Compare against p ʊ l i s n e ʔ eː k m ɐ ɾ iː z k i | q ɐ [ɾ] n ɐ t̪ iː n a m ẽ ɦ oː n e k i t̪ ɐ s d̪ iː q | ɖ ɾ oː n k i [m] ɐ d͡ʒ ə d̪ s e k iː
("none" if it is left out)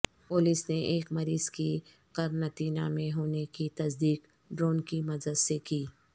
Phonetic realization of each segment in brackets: ɾ, m

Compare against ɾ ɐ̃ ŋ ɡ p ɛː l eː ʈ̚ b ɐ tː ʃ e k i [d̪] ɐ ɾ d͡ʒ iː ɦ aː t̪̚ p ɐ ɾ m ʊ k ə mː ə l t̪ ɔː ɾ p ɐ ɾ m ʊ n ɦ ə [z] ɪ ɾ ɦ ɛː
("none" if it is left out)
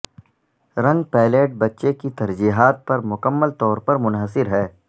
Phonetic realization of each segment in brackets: t̪, s

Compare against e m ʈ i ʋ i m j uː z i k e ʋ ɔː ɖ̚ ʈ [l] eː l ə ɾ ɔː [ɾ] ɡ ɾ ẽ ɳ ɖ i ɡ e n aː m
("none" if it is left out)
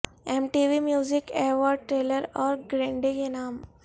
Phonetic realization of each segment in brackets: ɾ, ɾ

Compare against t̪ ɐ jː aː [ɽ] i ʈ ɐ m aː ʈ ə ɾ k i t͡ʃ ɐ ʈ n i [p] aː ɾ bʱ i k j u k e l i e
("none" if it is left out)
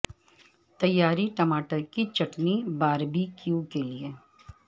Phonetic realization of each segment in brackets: ɾ, b

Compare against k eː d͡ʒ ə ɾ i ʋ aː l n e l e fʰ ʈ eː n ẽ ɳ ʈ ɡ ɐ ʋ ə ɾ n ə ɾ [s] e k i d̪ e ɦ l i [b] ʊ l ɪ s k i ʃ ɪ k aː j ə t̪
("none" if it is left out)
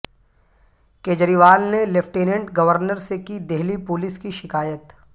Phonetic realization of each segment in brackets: s, p

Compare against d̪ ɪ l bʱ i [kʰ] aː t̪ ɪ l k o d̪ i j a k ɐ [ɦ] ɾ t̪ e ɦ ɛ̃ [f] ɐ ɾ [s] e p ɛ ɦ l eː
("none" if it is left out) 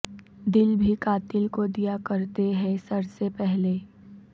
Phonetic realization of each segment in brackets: k, none, s, s

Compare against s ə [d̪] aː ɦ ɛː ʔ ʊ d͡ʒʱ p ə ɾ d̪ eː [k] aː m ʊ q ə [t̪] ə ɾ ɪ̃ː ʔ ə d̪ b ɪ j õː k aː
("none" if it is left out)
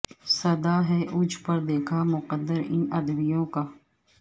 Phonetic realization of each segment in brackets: d̪, kʰ, d̪

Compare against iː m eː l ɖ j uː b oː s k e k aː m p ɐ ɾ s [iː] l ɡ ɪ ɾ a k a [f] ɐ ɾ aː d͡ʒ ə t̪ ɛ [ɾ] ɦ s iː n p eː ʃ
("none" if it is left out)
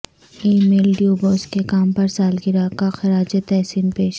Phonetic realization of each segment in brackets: aː, x, none

